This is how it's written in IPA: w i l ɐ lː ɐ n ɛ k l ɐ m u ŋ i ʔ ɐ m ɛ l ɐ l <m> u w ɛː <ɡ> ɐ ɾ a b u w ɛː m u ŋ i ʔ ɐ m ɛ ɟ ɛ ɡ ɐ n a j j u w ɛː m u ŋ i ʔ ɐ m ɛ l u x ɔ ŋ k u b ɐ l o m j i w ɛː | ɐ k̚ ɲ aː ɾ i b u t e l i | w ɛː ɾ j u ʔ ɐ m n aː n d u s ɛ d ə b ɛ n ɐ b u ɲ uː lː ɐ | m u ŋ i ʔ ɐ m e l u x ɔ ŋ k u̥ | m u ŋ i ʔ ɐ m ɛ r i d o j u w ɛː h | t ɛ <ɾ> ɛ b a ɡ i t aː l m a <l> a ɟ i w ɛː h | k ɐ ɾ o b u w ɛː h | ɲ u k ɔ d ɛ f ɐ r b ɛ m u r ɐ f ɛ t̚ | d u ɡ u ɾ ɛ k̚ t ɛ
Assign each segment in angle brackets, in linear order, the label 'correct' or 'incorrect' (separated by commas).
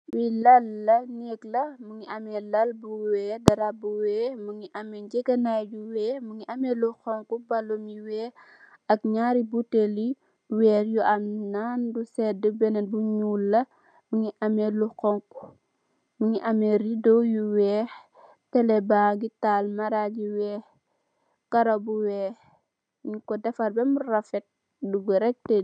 incorrect, incorrect, incorrect, incorrect